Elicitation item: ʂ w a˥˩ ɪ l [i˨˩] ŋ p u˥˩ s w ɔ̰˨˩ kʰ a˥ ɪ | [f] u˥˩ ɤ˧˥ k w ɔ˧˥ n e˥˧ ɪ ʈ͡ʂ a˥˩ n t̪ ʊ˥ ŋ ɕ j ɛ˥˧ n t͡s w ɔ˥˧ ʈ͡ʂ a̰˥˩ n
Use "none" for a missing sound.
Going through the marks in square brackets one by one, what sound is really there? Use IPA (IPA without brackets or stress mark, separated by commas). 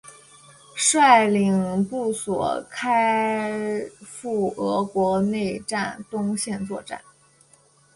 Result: i˨˩, f